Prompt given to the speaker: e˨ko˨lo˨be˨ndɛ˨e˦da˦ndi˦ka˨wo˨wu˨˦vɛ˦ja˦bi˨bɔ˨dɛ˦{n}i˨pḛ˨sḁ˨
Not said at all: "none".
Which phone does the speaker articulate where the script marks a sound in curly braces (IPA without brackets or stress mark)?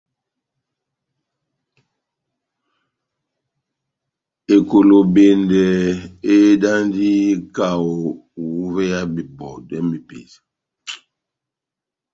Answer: m